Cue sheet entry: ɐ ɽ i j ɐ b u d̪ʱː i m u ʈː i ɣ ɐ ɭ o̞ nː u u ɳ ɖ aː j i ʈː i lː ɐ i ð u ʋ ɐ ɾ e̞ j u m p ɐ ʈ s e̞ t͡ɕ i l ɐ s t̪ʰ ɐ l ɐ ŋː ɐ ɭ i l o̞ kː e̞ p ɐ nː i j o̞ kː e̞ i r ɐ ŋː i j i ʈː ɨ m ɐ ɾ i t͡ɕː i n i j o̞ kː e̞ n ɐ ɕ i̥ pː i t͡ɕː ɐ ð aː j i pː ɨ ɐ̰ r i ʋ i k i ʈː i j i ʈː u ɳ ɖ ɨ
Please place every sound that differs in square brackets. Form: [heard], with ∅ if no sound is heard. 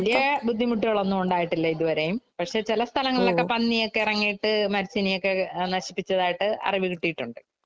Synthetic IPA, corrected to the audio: ɐ [l] i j ɐ b u d̪ʱː i m u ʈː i ɣ ɐ ɭ o̞ nː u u ɳ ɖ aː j i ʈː i lː ɐ i ð u ʋ ɐ ɾ e̞ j u m p ɐ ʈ [ʂ] e̞ t͡ɕ i l ɐ s t̪ʰ ɐ l ɐ ŋː ɐ ɭ i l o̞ kː e̞ p ɐ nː i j o̞ kː e̞ i r ɐ ŋː i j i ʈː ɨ m ɐ ɾ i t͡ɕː i n i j o̞ kː e̞ n ɐ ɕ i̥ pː i t͡ɕː ɐ ð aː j i [ʈː] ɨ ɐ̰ r i ʋ i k i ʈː i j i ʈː u ɳ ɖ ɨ

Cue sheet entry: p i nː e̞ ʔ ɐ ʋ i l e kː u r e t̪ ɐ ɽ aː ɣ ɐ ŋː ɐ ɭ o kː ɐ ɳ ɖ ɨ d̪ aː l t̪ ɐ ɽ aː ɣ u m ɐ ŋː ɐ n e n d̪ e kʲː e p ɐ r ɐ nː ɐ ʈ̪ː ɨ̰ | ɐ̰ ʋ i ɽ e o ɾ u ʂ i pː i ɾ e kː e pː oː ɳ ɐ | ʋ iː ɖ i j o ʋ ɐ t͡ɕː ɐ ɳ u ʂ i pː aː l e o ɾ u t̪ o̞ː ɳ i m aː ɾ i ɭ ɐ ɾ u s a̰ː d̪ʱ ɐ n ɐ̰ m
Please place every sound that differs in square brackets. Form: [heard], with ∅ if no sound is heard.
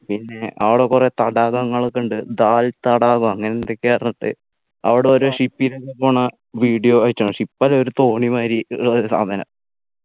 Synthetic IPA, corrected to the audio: p i nː e̞ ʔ ɐ ʋ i [ɽ] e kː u r e t̪ ɐ ɽ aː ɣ ɐ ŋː ɐ ɭ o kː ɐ ɳ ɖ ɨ d̪ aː l t̪ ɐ ɽ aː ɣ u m ɐ ŋː ɐ n e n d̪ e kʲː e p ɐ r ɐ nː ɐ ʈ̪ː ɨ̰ | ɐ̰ ʋ i ɽ e o ɾ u ʂ i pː i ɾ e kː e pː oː ɳ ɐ | ʋ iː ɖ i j o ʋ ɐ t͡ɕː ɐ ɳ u ʂ i pː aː l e o ɾ u t̪ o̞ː ɳ i m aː ɾ i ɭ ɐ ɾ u s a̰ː d̪ʱ ɐ n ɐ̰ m

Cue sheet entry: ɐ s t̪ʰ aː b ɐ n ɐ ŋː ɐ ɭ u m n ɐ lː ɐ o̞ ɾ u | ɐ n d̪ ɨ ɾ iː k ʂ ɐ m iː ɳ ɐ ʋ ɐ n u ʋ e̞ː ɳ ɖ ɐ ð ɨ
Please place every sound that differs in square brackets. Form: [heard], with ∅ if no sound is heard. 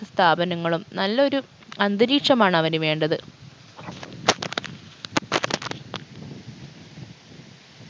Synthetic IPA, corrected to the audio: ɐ s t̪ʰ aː b ɐ n ɐ ŋː ɐ ɭ u m n ɐ lː ɐ o̞ ɾ u | ɐ n d̪ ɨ ɾ iː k ʂ ɐ m [aː] ɳ ɐ ʋ ɐ n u ʋ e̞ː ɳ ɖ ɐ ð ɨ

